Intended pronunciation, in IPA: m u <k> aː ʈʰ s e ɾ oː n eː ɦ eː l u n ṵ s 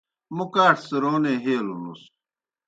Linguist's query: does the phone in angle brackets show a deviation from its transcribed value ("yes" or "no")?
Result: no